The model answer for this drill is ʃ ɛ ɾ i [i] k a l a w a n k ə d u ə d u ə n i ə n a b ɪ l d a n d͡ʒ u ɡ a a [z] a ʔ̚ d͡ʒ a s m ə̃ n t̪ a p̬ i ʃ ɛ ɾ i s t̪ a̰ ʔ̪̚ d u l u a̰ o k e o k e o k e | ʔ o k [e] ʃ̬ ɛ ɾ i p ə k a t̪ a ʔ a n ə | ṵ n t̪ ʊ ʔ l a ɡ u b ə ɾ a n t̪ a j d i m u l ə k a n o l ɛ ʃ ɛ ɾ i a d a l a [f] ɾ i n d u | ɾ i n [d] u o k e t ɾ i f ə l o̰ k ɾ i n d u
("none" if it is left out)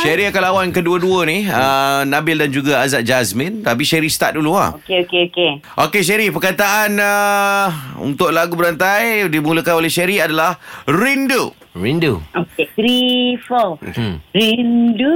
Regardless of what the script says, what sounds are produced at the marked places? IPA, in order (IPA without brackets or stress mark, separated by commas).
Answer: a, z, e, h, d